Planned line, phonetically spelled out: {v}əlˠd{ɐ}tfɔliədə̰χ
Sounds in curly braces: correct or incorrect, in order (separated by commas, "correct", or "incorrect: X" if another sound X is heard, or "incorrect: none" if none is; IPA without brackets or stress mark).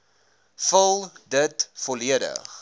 incorrect: f, incorrect: ə